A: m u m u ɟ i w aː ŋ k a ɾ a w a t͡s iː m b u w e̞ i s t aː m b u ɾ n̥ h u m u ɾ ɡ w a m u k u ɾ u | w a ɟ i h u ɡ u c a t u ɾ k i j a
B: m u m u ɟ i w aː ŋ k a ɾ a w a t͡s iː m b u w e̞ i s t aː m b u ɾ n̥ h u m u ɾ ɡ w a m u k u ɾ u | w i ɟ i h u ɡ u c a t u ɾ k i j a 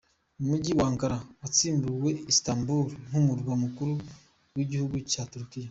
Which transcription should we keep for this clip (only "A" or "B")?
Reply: B